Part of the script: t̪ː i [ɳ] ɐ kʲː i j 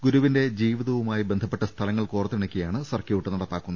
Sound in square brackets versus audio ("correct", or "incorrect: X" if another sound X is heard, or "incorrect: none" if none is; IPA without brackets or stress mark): correct